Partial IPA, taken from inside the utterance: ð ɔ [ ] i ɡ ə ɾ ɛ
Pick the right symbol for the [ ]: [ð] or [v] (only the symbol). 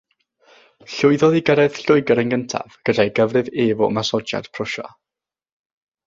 ð